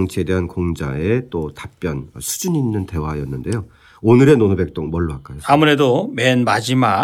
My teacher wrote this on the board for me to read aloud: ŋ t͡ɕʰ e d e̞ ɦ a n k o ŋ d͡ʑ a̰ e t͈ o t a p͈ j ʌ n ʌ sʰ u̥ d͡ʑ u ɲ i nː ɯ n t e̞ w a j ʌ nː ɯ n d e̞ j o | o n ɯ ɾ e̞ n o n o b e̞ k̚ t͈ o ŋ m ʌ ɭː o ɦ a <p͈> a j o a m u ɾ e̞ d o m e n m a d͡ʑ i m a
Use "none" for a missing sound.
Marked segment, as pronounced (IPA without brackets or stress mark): k͈